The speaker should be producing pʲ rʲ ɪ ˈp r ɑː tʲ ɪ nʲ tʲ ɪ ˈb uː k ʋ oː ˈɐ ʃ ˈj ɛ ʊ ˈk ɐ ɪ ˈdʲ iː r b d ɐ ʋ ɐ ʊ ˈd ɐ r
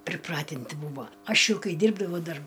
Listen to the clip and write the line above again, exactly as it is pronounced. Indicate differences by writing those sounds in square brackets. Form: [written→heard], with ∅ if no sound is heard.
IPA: pʲ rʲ ɪ ˈp r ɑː tʲ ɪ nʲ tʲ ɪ ˈb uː [k→∅] ʋ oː ˈɐ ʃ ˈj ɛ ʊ ˈk ɐ ɪ ˈdʲ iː r b d ɐ ʋ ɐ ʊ ˈd ɐ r